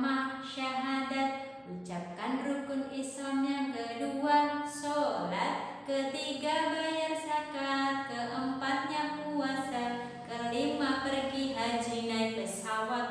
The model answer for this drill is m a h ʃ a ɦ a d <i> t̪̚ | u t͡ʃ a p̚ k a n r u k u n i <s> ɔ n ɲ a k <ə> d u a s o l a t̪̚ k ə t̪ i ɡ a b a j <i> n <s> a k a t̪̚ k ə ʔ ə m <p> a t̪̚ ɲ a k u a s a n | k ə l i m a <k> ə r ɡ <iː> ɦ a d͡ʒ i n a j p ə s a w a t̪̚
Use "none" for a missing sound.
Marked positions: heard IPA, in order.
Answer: a, s, ə, a, s, p, p, i

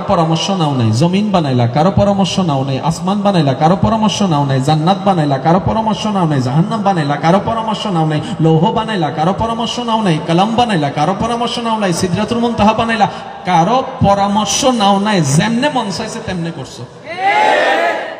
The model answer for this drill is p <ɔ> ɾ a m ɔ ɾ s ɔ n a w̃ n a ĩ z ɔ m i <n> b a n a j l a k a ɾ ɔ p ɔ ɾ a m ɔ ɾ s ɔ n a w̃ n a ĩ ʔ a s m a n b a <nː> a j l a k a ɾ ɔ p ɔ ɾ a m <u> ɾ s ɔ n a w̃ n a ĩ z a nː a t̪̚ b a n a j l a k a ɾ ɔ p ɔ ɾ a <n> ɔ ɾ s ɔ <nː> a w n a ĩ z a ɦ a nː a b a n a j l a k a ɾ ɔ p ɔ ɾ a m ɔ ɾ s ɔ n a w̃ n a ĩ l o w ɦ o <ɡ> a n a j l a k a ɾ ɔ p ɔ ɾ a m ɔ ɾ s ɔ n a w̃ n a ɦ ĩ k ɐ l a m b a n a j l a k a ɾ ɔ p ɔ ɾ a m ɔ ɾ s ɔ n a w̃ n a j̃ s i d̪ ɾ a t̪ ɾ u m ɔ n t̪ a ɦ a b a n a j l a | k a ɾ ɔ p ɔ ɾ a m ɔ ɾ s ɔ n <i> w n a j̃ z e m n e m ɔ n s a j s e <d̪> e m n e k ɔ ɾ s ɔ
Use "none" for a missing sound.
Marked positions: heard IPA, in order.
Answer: ɔ, n, n, ɔ, m, n, b, a, t̪

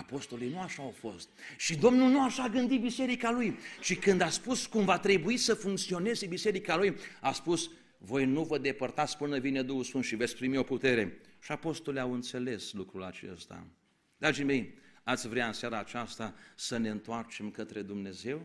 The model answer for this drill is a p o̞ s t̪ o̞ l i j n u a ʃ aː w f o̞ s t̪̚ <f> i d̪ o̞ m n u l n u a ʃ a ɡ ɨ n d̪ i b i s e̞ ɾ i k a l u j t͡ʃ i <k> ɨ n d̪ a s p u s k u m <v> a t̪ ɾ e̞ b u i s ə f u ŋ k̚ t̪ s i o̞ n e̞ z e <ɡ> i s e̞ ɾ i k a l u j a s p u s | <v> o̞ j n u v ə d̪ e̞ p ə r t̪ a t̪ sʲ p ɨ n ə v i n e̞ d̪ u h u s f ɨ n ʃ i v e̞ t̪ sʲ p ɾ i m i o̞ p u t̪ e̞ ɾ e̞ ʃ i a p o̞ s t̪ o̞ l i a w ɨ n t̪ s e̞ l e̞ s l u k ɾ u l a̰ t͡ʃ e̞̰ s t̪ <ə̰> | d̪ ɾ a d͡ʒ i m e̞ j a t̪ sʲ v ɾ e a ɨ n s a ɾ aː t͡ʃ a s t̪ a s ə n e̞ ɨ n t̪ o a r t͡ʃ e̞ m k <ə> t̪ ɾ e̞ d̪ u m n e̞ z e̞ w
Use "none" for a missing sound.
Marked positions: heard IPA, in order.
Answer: ʃ, k, v, b, v, a̰, ə

